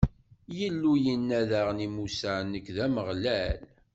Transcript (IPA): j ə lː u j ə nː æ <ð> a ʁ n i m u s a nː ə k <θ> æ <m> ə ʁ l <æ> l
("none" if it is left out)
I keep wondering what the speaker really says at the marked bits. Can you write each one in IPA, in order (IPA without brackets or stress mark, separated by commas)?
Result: ð, ð, m, æ